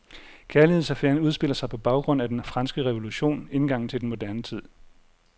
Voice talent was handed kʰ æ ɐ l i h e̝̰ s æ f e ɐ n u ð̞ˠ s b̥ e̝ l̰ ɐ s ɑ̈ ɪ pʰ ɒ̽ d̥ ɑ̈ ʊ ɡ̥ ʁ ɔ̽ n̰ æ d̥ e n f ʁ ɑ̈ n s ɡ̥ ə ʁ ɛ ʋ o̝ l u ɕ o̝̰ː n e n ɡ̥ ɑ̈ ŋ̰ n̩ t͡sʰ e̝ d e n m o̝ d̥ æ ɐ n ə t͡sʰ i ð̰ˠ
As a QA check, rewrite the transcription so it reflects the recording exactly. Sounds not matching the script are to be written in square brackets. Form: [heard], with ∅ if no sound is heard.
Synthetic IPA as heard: kʰ æ ɐ l i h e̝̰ s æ f e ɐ n u ð̞ˠ s b̥ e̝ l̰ ɐ s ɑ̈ ɪ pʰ ɒ̽ [b̥] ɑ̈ ʊ ɡ̥ ʁ ɔ̽ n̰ æ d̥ e n f ʁ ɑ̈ n s ɡ̥ ə ʁ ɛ ʋ o̝ l u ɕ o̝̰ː n e n ɡ̥ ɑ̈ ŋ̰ n̩ t͡sʰ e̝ d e n m o̝ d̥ æ ɐ n ə t͡sʰ i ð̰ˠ

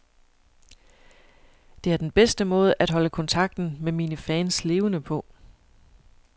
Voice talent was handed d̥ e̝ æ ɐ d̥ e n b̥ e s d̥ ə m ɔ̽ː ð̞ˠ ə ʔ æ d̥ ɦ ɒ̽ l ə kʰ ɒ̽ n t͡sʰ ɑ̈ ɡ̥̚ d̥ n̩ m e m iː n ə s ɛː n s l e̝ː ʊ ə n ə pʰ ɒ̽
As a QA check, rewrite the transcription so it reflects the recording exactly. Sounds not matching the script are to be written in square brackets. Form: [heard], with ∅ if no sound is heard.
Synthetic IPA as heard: d̥ e̝ æ ɐ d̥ e n b̥ e s d̥ ə m ɔ̽ː ð̞ˠ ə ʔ æ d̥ ɦ ɒ̽ l ə kʰ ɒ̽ n t͡sʰ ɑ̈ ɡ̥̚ d̥ n̩ m e m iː n ə [f] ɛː n s l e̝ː ʊ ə n ə pʰ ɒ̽

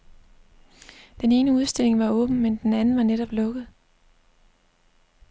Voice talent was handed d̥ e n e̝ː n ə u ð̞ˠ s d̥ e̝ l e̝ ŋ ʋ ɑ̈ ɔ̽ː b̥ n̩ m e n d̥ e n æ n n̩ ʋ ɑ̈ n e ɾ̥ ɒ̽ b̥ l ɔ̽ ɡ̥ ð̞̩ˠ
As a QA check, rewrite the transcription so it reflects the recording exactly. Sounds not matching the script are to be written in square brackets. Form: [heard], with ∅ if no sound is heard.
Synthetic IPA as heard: d̥ e n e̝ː n ə u ð̞ˠ s d̥ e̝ l e̝ ŋ ʋ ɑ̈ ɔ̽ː b̥ n̩ m e n d̥ e n æ n n̩ ʋ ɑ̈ n e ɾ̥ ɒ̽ b̥ l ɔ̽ ɡ̥ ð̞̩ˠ

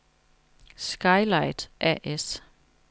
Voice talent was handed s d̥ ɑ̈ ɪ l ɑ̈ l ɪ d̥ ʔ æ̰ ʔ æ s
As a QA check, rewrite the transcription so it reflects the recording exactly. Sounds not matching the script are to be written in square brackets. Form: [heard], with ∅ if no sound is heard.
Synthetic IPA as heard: s [ɡ̥] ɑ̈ ɪ l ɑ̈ [∅] ɪ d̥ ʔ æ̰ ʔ [e] s

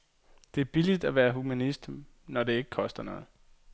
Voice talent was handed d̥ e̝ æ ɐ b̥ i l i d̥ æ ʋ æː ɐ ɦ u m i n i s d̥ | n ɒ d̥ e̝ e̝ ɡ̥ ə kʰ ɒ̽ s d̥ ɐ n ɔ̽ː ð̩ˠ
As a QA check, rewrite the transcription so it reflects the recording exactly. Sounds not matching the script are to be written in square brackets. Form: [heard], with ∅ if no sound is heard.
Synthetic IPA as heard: d̥ e̝ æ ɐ b̥ i l i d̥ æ ʋ æː ɐ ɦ u m [æ] n i s d̥ | n ɒ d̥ e̝ e̝ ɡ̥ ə kʰ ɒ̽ s d̥ ɐ n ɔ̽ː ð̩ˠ

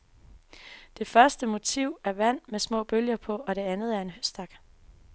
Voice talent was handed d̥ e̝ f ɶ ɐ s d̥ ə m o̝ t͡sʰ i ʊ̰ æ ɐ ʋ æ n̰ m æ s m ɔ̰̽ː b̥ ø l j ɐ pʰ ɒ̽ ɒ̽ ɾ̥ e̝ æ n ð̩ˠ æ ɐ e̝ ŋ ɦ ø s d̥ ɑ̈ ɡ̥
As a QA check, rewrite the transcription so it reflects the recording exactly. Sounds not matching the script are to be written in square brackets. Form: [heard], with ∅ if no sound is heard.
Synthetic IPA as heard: d̥ e̝ f ɶ ɐ s d̥ ə m o̝ t͡sʰ i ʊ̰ æ ɐ ʋ æ n̰ m [e] s m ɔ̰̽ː b̥ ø l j ɐ pʰ ɒ̽ ɒ̽ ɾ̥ e̝ æ n ð̩ˠ æ ɐ e̝ [n] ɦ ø s d̥ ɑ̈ ɡ̥

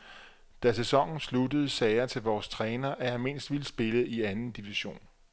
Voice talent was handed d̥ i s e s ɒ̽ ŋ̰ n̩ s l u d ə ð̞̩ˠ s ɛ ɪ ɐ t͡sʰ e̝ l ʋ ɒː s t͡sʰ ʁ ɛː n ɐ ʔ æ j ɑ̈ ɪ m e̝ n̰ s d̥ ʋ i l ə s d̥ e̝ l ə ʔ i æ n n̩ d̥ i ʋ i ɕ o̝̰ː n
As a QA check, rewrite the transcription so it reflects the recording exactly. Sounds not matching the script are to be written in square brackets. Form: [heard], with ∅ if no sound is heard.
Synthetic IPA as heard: d̥ [æ] s e s ɒ̽ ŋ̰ n̩ s l u d ə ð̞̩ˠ s ɛ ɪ ɐ t͡sʰ e̝ l ʋ ɒː s t͡sʰ ʁ ɛː n ɐ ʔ æ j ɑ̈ ɪ m e̝ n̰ s d̥ ʋ i l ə s [b̥] e̝ l ə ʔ i æ n n̩ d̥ i ʋ i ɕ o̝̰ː n

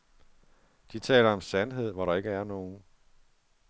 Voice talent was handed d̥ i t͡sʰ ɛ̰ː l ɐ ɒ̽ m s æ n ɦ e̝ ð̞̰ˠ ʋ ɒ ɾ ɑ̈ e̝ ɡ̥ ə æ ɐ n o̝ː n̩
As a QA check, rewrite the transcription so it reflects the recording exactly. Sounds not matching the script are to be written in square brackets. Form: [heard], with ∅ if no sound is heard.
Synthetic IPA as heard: d̥ i t͡sʰ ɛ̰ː l ɐ ɒ̽ m s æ n ɦ e̝ ð̞̰ˠ ʋ ɒ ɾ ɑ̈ e̝ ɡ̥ ə æ ɐ n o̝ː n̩

